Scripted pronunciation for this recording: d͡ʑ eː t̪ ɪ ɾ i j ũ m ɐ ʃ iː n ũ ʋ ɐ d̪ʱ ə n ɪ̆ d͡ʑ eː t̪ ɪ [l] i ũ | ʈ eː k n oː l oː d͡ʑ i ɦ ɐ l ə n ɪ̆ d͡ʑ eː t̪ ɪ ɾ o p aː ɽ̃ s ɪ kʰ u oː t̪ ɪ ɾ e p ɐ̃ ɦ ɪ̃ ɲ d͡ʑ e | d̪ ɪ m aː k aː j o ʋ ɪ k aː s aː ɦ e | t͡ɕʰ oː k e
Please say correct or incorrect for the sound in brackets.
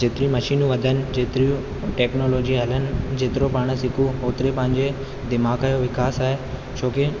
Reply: incorrect